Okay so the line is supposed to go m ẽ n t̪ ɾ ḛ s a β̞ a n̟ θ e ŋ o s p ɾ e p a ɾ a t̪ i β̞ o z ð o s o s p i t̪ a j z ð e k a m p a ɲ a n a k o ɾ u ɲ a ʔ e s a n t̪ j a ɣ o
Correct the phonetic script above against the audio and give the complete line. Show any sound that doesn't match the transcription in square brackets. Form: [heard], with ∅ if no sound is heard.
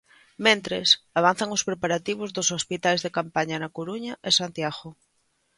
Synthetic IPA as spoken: m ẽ n t̪ ɾ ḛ s a β̞ a n̟ θ [a] ŋ o s p ɾ e p a ɾ a t̪ i β̞ o z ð o s o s p i t̪ a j z ð e k a m p a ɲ a n a k o ɾ u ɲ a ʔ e s a n t̪ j a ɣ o

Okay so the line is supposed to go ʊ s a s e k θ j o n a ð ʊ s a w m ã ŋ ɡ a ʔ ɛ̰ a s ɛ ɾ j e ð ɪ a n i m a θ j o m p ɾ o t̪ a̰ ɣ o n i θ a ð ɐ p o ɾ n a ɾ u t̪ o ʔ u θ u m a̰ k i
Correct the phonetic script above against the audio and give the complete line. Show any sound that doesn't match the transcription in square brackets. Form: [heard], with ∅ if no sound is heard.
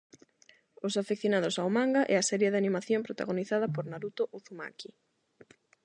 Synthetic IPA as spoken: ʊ s a [f] e k θ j o n a ð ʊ s a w m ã ŋ ɡ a ʔ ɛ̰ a s ɛ ɾ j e ð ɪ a n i m a θ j o m p ɾ o t̪ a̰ ɣ o n i θ a ð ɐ p o ɾ n a ɾ u t̪ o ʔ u θ u m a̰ k i

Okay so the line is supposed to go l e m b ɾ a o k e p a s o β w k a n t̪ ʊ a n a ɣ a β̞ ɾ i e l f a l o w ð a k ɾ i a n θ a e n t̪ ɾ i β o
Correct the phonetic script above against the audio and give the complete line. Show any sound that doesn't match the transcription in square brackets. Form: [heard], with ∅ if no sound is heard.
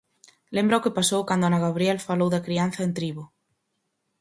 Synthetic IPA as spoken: l e m b ɾ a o k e p a s o [∅] w k a n [d̪] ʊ a n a ɣ a β̞ ɾ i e l f a l o w ð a k ɾ i a n θ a e n t̪ ɾ i β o

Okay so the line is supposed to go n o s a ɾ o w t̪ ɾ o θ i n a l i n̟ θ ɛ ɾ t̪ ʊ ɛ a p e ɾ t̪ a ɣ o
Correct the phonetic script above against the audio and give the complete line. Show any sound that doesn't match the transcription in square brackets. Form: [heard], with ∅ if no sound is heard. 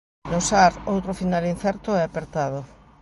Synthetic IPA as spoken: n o s a ɾ o w t̪ ɾ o [f] i n a l i n̟ θ ɛ ɾ t̪ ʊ ɛ a p e ɾ t̪ a [ð] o

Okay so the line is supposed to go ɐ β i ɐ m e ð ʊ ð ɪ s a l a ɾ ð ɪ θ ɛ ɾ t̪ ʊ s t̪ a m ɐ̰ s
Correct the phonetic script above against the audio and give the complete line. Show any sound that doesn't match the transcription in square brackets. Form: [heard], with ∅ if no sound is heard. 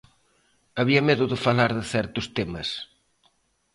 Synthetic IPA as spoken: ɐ β i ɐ m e ð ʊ ð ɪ [f] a l a ɾ ð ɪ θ ɛ ɾ t̪ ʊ s t̪ [e] m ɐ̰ s

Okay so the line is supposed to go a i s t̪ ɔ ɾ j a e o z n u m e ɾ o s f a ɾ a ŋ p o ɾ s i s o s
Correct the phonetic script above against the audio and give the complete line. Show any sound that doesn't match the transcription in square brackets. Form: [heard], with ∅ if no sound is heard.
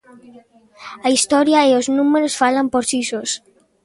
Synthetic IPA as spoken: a i s t̪ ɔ ɾ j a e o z n u m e ɾ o s f a [l] a [m] p o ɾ s i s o s

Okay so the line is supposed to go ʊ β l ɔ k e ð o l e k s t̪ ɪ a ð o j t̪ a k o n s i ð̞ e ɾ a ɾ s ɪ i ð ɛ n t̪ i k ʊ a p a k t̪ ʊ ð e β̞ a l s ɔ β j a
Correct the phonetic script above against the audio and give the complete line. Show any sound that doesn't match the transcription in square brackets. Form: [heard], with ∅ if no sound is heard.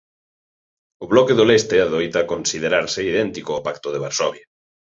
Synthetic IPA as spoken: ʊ β l ɔ k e ð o l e [∅] s t̪ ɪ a ð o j t̪ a k o n s i ð̞ e ɾ a ɾ s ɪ i ð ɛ n t̪ i k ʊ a p a k t̪ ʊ ð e β̞ a [ɾ] s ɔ β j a

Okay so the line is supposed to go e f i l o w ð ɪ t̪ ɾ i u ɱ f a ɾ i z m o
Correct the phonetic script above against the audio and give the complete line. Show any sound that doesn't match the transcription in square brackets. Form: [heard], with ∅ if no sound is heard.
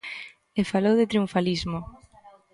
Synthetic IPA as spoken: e f [a] l o w ð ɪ t̪ ɾ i u ɱ f a [l] i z m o

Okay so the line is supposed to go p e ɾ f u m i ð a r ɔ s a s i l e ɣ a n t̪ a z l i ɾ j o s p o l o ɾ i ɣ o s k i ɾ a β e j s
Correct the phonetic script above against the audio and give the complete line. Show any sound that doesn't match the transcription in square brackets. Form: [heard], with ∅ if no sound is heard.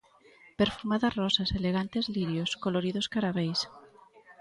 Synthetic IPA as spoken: p e ɾ f u m [a] ð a r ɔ s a s [e] l e ɣ a n t̪ [e] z l i ɾ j o s [k] o l o ɾ i [ð] o s k [a] ɾ a β e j s

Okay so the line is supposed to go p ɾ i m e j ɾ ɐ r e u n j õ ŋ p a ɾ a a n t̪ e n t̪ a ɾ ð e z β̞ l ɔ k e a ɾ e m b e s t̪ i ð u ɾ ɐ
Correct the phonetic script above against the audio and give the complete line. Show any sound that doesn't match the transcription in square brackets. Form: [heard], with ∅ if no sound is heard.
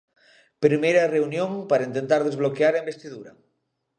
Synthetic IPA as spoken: p ɾ i m e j ɾ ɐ r e u n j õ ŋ p a ɾ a [i] n t̪ e n t̪ a ɾ ð e z β̞ l [o] k e a ɾ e m b e s t̪ i ð u ɾ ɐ

